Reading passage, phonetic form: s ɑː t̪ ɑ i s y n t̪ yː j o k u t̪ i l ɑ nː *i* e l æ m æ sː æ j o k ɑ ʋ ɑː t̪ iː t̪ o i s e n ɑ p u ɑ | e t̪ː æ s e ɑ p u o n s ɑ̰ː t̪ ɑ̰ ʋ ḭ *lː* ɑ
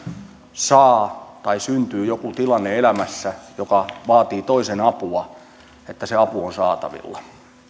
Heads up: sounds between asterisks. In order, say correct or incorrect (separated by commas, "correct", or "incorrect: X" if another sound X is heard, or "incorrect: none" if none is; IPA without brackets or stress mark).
incorrect: e, correct